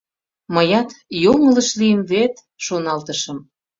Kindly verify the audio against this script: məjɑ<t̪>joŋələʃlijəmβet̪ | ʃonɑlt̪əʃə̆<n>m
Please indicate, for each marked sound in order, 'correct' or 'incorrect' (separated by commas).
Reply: correct, incorrect